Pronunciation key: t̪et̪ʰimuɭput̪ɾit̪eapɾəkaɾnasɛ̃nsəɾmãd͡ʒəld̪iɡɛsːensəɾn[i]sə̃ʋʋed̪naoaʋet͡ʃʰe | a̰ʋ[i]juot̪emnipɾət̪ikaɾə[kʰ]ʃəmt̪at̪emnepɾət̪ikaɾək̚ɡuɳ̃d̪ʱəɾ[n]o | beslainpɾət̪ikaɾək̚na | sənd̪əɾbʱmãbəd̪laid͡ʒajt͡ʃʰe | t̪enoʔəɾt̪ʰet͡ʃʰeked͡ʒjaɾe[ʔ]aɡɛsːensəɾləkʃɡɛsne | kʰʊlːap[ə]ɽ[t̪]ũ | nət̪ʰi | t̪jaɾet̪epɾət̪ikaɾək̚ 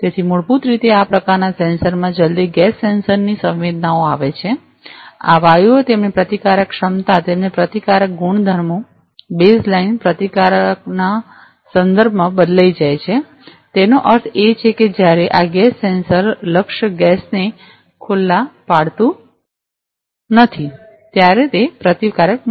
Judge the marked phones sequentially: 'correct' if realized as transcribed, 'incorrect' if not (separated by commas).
correct, incorrect, incorrect, incorrect, correct, incorrect, correct